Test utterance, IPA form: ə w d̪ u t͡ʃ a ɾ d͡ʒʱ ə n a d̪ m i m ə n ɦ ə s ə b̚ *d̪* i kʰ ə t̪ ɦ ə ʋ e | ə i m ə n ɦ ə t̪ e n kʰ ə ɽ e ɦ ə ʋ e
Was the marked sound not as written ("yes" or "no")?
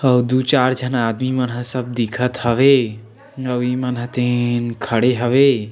no